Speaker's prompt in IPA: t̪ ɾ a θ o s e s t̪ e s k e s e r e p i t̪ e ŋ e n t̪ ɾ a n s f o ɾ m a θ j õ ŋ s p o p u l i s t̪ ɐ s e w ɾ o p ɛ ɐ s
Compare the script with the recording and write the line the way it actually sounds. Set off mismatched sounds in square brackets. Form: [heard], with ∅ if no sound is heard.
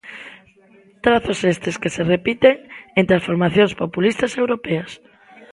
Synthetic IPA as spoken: t̪ ɾ a θ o s e s t̪ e s k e s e r e p i t̪ e ŋ e n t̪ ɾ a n s f o ɾ m a θ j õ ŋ s p o p u l i s t̪ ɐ s e w ɾ o p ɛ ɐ s